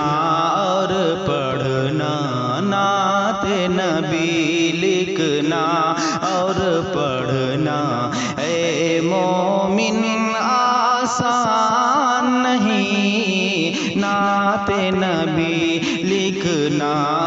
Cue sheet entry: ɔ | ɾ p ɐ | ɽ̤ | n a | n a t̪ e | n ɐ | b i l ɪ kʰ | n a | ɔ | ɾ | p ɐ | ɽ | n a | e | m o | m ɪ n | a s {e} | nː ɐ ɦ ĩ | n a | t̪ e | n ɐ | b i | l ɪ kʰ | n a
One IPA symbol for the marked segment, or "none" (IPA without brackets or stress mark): a